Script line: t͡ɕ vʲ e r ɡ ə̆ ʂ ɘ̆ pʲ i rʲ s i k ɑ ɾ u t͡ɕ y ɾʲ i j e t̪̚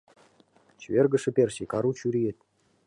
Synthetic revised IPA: t͡ɕ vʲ e r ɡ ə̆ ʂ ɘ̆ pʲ e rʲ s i k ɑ ɾ u t͡ɕ y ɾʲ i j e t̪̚